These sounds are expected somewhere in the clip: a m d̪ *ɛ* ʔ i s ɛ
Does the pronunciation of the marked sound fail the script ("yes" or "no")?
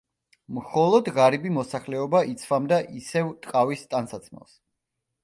yes